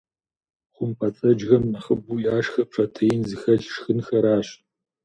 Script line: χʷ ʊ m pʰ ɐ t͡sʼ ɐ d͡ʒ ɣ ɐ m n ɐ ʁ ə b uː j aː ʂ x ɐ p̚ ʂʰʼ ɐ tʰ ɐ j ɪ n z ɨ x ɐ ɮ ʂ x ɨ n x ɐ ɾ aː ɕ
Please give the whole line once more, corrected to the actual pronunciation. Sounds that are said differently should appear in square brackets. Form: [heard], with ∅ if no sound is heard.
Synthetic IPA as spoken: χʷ ʊ m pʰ ɐ t͡sʼ ɐ d͡ʒ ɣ ɐ m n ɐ [χ] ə b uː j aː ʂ x ɐ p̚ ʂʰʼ ɐ tʰ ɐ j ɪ n z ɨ x ɐ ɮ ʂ x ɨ n x ɐ ɾ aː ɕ